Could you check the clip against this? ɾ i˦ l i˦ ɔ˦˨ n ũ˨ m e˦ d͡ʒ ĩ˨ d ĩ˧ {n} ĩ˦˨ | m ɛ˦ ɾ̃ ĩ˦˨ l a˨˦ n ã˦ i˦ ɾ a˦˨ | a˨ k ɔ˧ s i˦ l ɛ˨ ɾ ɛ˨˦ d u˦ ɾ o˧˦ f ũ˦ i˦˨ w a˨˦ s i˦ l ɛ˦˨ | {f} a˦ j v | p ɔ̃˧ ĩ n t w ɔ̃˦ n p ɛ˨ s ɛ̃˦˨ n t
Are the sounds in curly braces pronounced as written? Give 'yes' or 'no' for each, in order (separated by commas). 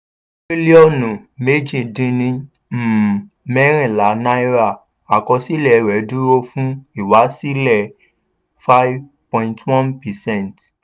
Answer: yes, yes